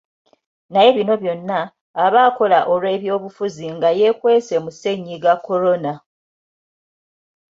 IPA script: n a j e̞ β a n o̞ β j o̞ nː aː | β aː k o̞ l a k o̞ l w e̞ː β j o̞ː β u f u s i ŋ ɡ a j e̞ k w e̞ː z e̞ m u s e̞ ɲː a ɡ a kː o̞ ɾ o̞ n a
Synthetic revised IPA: n a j e̞ β i n o̞ β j o̞ nː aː | β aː k o̞ l a ʔ o̞ l w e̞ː β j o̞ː β u f u z i ŋ ɡ a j e̞ k w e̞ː s e̞ m u s e̞ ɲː i ɡ a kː o̞ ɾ o̞ n a